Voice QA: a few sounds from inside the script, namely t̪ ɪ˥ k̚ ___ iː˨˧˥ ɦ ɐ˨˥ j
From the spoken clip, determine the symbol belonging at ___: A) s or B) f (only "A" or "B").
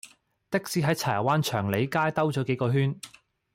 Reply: A